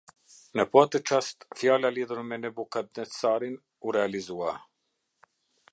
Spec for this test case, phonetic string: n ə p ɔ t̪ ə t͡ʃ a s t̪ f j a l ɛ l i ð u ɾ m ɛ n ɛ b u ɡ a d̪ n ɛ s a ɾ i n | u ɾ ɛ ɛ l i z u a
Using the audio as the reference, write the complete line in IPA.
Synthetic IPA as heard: n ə p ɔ t̪ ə t͡ʃ a s t̪ f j a l a l i ð u ɾ m ɛ n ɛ b u k a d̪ n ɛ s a ɾ i n | u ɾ ɛ a l i z u a